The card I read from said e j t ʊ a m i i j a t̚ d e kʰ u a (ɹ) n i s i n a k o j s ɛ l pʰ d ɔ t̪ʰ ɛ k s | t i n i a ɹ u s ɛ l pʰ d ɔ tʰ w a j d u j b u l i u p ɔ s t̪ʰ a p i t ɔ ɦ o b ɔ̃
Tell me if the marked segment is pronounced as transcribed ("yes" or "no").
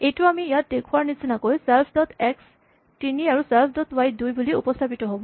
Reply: yes